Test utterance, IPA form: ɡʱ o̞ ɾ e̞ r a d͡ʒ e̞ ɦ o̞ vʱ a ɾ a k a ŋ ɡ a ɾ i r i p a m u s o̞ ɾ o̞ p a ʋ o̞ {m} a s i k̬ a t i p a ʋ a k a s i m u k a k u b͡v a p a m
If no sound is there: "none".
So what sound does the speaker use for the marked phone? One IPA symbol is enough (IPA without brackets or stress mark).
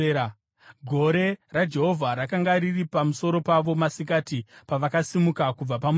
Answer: m